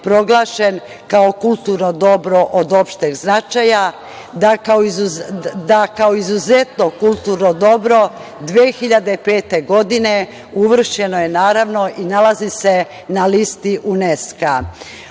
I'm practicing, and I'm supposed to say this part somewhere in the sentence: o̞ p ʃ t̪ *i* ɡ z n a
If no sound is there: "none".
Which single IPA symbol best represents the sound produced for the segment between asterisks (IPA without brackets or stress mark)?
e